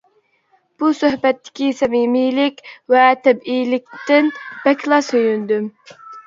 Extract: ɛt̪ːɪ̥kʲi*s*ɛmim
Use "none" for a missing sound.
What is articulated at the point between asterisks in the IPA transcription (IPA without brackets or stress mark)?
s